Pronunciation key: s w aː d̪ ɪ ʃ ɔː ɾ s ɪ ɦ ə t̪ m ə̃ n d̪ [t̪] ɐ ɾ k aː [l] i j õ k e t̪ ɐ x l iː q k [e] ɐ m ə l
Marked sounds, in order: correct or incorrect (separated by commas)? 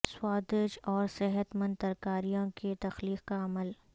correct, incorrect, incorrect